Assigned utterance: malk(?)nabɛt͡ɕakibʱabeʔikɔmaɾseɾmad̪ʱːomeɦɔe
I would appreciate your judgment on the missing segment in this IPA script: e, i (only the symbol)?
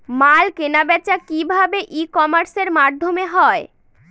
e